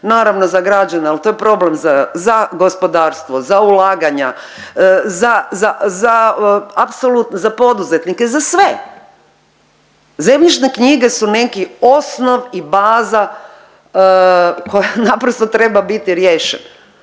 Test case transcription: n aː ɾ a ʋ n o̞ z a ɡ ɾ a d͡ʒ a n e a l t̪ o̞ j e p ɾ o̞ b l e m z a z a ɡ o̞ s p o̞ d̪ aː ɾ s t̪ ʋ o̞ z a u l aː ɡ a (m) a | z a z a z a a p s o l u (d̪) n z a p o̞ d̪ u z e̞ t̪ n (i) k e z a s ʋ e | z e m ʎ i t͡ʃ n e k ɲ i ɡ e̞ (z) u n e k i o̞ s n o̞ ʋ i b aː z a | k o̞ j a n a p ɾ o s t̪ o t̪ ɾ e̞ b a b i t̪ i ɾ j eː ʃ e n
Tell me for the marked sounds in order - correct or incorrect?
incorrect, incorrect, correct, incorrect

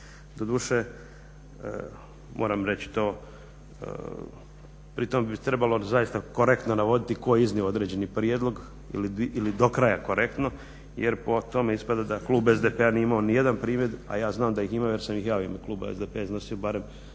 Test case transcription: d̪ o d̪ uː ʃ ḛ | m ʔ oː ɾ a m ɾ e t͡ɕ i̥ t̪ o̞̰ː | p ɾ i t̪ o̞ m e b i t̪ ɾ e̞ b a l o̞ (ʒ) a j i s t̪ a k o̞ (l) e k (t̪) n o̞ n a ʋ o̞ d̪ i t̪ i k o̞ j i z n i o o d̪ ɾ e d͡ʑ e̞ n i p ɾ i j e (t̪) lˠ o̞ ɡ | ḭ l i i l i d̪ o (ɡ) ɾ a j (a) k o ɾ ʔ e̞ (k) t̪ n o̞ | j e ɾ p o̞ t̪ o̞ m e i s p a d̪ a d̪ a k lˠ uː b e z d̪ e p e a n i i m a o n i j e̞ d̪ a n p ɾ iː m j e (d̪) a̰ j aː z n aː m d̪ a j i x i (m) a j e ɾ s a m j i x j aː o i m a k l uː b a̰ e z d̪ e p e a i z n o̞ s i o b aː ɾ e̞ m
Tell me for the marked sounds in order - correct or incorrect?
incorrect, incorrect, correct, incorrect, incorrect, correct, correct, correct, correct

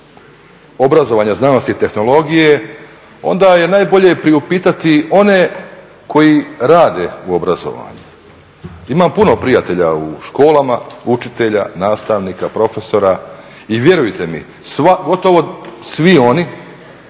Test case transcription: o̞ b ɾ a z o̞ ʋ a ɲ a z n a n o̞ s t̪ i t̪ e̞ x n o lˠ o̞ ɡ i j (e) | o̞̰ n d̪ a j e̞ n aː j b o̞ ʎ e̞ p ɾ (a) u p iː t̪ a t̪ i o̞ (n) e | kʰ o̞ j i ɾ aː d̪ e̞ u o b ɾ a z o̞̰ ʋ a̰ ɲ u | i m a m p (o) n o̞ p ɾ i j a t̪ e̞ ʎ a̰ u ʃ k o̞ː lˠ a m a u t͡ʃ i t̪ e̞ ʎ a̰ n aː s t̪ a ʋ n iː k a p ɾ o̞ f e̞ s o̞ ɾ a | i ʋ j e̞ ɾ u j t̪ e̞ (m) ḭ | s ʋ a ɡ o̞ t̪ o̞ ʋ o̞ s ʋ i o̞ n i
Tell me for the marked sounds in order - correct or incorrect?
correct, incorrect, correct, incorrect, correct

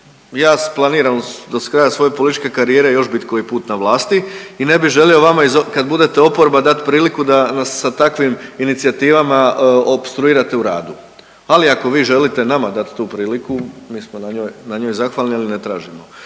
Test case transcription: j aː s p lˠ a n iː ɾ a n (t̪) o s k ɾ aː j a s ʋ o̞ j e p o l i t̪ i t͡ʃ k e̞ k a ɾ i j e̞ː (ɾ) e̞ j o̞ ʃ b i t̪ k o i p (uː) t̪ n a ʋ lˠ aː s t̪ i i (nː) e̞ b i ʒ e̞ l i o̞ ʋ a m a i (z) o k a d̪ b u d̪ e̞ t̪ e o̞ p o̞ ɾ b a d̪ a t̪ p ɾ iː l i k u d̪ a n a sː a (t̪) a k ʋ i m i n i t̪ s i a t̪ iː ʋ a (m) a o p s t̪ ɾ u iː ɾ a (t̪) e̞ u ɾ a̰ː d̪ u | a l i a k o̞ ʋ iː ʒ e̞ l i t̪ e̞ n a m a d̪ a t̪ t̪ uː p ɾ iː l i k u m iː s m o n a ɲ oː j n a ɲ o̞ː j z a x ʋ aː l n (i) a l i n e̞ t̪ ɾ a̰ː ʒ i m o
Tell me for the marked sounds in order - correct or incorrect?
incorrect, correct, correct, incorrect, correct, correct, correct, correct, correct

